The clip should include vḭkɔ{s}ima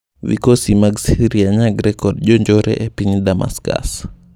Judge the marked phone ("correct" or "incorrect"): correct